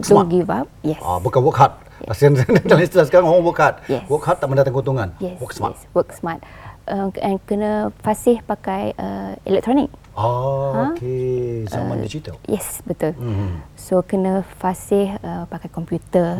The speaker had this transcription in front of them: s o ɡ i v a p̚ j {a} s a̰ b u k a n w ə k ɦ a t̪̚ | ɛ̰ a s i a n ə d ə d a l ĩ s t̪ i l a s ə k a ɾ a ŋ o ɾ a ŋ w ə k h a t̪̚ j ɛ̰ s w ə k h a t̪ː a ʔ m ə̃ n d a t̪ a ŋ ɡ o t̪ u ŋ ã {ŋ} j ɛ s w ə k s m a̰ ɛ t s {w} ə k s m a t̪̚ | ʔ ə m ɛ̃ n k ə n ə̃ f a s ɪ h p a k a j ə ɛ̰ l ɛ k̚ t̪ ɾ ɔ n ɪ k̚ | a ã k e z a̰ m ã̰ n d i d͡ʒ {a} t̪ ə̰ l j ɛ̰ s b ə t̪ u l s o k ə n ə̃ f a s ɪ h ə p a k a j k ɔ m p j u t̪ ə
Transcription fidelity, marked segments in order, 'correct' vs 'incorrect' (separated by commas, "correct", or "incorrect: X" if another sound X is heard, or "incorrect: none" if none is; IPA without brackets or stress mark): incorrect: ɛ, incorrect: n, correct, incorrect: i